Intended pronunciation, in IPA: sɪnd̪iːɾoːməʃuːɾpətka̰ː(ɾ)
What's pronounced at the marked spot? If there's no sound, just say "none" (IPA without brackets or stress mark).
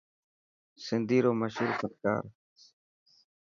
ɾ